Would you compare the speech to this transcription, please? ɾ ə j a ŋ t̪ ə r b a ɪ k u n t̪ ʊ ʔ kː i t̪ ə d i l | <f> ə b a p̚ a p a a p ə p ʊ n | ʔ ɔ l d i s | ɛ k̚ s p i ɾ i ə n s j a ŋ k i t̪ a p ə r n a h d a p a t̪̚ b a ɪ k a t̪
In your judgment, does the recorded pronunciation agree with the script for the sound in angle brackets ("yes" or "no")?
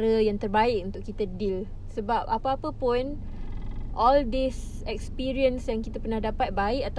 no